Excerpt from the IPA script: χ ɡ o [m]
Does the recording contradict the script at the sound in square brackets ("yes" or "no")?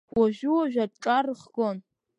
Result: yes